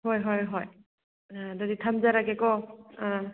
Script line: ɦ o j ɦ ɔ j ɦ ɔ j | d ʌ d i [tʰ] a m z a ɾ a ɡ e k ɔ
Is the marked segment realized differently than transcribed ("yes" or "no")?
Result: no